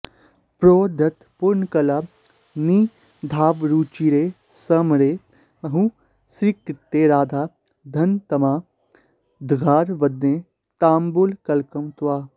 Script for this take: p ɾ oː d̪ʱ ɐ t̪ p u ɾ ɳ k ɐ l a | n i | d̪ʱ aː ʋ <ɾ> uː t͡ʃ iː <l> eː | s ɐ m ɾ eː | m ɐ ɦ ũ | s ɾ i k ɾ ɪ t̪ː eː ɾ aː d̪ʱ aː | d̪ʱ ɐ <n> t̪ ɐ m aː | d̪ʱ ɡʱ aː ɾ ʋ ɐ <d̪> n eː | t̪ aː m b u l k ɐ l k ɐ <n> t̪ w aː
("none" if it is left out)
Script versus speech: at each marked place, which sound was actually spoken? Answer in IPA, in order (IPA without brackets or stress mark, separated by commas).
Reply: ɾ, ɾ, n, d̪, m